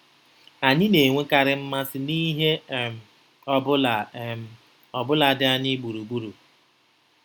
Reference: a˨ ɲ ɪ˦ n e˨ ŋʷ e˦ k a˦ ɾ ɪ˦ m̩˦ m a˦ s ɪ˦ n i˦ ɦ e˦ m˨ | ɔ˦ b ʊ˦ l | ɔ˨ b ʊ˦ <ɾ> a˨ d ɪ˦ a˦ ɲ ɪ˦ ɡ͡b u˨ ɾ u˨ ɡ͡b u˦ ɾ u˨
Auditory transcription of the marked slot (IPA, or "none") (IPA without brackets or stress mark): l